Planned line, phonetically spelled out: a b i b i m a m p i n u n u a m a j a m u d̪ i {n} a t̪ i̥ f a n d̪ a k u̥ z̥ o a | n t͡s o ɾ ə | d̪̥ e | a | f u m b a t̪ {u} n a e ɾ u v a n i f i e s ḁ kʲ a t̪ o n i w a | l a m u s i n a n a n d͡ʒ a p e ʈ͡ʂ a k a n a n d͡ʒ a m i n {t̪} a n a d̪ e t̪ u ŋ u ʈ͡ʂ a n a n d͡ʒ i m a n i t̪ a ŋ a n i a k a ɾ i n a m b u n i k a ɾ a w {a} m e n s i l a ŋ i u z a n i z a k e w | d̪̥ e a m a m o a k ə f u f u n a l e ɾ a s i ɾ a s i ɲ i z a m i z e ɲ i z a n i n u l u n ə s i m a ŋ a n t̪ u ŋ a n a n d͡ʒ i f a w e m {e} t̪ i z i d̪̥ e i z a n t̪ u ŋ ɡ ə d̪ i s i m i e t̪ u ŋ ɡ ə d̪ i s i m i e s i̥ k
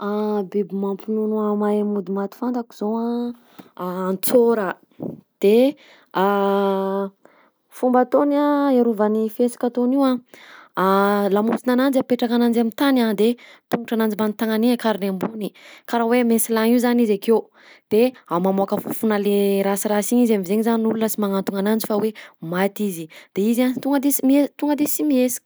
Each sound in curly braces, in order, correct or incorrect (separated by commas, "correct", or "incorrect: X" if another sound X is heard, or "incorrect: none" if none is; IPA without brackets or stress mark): incorrect: m, incorrect: o, correct, incorrect: e, incorrect: a